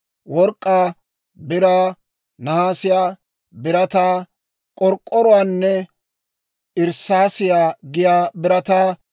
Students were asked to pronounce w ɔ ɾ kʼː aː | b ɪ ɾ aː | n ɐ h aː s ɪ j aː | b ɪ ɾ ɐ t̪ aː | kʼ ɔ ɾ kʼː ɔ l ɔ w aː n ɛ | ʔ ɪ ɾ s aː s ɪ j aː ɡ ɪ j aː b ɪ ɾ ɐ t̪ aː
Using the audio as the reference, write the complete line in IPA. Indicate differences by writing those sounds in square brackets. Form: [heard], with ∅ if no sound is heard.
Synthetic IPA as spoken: w ɔ ɾ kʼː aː | b ɪ ɾ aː | n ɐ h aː s ɪ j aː | b ɪ ɾ ɐ t̪ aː | kʼ ɔ ɾ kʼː ɔ [ɾ] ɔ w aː [nː] ɛ | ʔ ɪ ɾ s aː s ɪ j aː ɡ ɪ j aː b ɪ ɾ ɐ t̪ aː